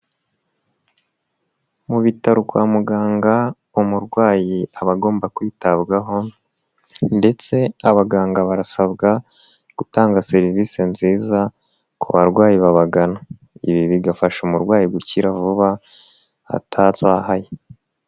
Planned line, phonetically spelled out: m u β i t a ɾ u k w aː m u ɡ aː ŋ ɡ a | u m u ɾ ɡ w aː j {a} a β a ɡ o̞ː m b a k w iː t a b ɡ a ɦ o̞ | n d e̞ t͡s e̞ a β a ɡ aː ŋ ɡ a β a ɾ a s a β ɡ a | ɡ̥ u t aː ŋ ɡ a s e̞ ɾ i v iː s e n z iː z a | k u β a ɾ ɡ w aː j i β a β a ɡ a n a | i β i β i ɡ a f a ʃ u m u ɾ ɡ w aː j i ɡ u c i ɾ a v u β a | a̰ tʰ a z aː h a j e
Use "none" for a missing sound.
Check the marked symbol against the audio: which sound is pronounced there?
i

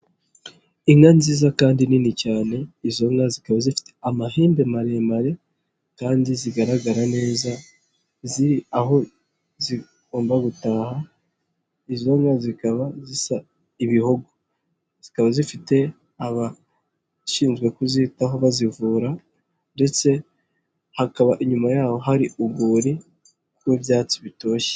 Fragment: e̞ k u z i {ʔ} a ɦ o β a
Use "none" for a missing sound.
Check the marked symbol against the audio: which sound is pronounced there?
t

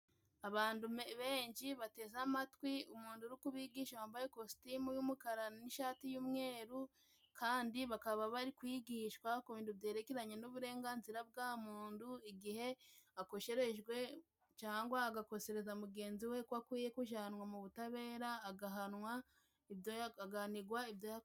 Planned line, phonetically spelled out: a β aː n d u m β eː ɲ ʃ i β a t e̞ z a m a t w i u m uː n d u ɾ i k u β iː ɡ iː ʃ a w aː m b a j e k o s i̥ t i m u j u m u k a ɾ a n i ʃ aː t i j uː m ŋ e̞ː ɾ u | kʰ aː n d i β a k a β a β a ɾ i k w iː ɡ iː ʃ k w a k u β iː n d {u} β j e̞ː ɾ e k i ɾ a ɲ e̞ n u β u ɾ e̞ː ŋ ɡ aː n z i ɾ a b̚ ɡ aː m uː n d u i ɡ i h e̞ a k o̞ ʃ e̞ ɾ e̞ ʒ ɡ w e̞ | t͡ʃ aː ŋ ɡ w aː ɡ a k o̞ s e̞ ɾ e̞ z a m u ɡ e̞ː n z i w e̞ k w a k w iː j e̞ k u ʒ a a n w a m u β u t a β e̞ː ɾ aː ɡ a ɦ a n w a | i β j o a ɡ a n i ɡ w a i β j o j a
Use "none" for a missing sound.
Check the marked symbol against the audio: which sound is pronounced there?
u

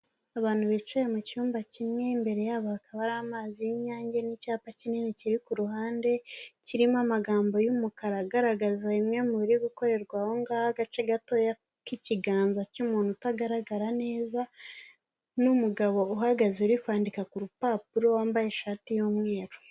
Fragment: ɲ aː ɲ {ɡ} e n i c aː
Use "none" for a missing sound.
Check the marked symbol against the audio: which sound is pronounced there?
ɟ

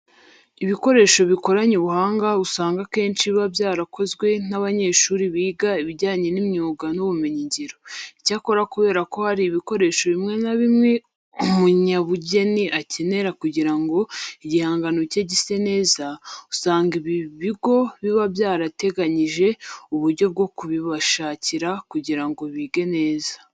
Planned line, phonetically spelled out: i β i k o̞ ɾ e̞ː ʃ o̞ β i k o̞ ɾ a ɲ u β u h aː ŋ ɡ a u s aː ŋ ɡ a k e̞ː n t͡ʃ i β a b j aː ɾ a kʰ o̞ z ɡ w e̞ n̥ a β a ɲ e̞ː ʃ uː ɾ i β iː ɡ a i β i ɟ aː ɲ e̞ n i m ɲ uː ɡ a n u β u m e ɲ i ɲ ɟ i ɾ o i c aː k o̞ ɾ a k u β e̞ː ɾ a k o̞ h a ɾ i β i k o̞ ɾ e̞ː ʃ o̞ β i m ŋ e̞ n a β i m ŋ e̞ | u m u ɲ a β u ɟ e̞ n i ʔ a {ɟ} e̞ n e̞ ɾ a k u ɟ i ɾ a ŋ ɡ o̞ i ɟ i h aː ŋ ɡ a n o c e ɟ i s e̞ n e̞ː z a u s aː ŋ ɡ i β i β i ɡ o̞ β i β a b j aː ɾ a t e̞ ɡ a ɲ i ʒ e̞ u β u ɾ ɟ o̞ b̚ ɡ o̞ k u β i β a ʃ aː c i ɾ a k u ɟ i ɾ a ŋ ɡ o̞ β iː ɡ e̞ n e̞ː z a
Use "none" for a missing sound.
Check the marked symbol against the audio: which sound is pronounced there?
c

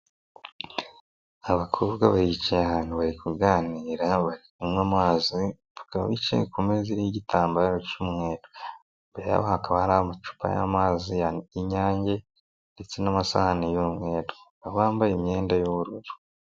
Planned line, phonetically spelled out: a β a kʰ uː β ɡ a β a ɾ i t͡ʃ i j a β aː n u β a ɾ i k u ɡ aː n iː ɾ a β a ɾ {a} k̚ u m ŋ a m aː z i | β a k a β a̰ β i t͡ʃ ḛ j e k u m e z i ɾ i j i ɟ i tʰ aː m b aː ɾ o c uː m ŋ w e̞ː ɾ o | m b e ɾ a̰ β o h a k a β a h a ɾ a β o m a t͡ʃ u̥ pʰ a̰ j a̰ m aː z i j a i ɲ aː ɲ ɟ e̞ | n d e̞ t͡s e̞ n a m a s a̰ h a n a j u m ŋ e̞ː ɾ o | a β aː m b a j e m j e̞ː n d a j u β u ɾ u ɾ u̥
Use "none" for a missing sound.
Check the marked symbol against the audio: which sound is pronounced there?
i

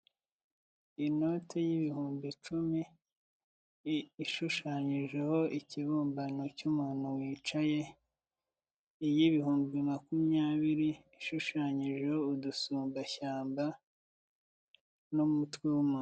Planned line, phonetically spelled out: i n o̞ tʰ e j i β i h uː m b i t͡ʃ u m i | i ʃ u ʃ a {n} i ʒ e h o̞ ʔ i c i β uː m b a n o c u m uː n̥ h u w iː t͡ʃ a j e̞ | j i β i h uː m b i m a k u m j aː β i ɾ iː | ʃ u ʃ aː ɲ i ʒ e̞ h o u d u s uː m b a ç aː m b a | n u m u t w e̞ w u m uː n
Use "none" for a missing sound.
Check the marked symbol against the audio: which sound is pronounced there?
ɲ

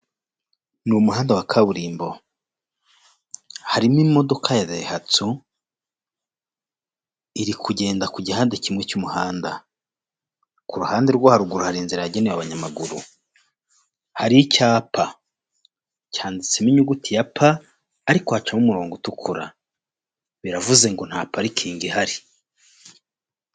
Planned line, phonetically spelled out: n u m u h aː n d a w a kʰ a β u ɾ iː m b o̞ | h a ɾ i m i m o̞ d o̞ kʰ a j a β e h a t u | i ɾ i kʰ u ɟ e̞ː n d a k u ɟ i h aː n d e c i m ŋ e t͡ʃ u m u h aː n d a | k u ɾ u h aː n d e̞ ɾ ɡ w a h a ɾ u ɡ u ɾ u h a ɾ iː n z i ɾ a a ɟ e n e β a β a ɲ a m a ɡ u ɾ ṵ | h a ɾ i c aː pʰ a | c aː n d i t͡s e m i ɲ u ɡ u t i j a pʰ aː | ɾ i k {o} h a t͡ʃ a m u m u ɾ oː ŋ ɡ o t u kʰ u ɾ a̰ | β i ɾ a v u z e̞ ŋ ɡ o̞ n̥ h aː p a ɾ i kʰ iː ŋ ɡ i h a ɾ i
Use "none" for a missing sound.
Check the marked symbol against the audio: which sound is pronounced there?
o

